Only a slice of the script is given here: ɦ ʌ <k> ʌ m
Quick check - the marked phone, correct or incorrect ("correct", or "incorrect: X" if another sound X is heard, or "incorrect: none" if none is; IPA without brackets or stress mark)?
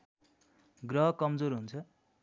correct